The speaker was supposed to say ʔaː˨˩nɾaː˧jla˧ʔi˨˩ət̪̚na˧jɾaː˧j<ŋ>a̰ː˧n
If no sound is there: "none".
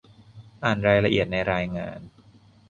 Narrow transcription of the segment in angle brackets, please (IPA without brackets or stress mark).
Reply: ŋ